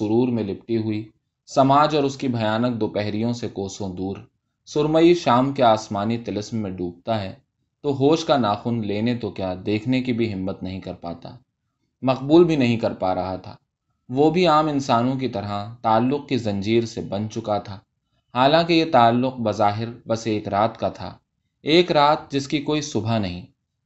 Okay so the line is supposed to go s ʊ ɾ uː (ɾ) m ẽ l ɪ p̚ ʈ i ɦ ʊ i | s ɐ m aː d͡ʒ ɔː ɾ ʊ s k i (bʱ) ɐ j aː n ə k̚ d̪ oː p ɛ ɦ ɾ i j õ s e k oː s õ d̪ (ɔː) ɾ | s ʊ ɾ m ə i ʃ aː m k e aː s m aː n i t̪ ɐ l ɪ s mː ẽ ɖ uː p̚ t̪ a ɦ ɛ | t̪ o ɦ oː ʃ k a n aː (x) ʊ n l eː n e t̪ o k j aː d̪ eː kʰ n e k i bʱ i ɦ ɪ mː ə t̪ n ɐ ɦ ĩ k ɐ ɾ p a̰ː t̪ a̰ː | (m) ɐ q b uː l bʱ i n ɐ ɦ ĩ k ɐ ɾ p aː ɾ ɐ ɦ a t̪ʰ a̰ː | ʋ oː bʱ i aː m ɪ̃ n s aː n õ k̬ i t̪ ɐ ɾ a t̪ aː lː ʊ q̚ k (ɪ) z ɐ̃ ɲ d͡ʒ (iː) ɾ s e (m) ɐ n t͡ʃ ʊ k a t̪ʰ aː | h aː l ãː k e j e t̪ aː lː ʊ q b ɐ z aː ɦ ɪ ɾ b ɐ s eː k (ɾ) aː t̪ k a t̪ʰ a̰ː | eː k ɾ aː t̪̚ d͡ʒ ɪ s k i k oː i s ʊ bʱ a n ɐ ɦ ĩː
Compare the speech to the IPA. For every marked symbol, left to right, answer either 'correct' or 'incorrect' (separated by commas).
correct, correct, incorrect, correct, correct, incorrect, correct, incorrect, correct